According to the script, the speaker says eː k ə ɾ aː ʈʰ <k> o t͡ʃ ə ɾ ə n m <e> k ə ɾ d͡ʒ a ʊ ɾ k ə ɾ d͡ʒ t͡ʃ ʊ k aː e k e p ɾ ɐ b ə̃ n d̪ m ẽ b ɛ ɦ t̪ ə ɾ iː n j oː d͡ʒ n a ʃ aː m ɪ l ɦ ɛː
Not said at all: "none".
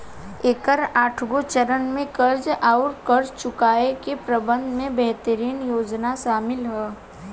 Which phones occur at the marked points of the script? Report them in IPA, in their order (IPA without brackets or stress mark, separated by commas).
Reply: ɡ, ẽ